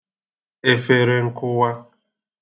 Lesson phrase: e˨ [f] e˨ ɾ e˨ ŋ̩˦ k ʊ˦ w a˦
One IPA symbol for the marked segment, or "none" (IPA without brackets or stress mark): f